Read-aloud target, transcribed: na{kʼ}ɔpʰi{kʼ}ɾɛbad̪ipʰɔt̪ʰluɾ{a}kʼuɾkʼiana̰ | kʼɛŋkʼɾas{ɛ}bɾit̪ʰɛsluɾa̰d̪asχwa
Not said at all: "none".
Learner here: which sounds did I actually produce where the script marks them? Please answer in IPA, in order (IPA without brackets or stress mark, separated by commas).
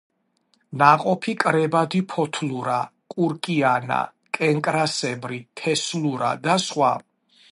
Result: qʼ, kʼ, a, ɛ